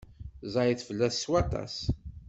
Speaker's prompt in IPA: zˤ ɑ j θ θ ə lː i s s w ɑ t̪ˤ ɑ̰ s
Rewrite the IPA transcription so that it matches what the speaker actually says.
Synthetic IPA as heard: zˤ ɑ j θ f ə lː æ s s w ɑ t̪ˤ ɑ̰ s